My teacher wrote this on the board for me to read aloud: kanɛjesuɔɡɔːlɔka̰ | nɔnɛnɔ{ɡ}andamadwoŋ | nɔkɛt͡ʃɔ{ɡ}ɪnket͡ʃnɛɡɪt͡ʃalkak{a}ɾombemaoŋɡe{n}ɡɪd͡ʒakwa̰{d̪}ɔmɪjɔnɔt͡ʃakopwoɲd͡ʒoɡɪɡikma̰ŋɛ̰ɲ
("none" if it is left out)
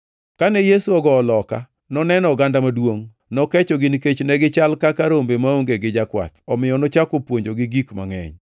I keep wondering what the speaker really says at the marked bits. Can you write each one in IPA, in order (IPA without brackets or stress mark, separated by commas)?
ɡ, ɡ, a, none, t̪